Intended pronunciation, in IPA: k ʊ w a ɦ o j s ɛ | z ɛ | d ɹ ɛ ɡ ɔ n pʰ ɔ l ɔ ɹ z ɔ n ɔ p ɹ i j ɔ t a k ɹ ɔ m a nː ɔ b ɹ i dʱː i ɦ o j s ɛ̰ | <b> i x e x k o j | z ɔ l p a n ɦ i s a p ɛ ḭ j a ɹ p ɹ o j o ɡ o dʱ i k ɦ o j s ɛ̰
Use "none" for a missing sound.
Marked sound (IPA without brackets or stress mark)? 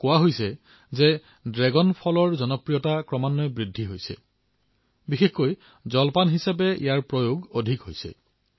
b